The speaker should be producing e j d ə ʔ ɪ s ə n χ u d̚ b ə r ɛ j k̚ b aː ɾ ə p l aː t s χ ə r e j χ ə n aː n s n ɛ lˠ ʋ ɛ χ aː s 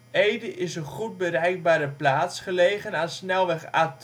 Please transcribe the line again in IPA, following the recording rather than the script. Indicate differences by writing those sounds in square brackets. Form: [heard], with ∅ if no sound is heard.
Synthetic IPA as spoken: e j d ə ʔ ɪ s ə n χ u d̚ b ə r ɛ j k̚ b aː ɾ ə p l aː t s χ ə [l] e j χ ə n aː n s n ɛ lˠ ʋ ɛ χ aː [t]